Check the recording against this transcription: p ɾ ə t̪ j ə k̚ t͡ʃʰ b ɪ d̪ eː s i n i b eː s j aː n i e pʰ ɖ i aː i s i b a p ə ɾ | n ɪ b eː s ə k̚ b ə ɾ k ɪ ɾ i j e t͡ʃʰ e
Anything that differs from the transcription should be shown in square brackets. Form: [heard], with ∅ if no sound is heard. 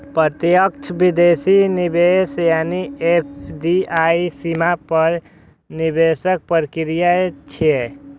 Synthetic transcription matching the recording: p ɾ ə t̪ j ə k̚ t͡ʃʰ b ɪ d̪ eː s i n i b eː s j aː n i e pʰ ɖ i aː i s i [m] a p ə ɾ | n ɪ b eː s ə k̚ [p] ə ɾ k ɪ ɾ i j [a] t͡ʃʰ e